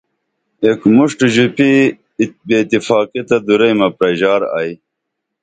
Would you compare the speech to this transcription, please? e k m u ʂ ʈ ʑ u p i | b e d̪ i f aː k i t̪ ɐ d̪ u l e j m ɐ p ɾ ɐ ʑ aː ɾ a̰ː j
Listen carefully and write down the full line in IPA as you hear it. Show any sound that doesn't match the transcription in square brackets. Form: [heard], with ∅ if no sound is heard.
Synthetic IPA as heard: e k m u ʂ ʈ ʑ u p i | b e [t̪] i f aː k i t̪ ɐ d̪ u [ɾ] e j m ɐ p ɾ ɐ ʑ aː ɾ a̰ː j